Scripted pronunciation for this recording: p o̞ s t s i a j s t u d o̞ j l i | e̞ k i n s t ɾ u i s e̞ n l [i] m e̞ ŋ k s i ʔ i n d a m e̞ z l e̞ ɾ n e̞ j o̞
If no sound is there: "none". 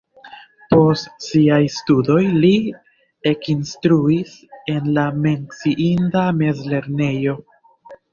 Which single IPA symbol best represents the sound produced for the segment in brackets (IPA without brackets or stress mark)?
a